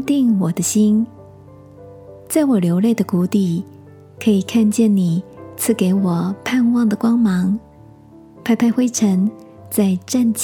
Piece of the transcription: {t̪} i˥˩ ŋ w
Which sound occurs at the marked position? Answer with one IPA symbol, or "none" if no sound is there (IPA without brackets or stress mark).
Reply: t̪